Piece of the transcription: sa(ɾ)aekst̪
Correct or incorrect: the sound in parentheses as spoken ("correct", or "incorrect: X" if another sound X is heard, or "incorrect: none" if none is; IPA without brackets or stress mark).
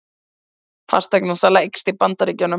incorrect: l